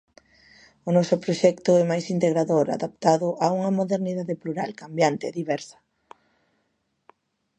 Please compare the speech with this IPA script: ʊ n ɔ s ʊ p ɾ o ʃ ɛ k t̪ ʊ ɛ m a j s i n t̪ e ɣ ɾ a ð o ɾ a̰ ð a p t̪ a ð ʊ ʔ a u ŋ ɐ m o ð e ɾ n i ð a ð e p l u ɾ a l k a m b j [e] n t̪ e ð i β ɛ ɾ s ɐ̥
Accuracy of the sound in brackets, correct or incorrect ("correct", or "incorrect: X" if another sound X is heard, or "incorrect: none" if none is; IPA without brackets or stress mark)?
incorrect: a